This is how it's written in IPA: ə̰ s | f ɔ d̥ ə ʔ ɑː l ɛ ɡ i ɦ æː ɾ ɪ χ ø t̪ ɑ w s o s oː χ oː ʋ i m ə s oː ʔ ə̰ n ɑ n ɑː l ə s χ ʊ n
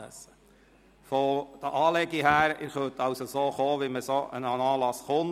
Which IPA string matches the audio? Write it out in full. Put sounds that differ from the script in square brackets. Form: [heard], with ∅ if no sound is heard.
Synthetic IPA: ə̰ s | f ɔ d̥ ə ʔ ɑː l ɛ ɡ i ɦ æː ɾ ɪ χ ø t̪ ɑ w s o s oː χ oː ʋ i m ə s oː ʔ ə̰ n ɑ n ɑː l [ɑ] s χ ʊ n